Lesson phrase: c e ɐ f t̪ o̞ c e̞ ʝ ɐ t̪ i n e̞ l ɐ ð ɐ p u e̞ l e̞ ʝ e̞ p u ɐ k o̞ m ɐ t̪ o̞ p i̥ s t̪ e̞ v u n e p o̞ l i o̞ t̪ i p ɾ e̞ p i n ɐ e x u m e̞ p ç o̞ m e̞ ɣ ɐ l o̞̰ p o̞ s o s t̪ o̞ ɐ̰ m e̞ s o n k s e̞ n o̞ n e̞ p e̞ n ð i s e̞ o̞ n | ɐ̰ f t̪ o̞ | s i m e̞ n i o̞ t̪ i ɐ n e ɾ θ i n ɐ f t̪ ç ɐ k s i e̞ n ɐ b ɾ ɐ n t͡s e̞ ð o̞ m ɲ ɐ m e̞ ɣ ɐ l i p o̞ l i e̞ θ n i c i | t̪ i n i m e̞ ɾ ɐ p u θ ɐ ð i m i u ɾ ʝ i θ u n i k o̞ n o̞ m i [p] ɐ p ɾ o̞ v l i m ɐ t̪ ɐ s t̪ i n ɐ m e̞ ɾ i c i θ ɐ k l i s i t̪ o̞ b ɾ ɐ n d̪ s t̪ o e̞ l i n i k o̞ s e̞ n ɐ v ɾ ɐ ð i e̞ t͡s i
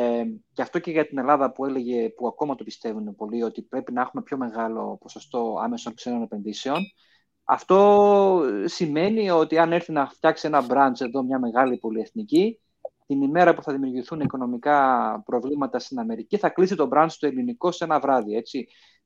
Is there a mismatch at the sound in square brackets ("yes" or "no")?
yes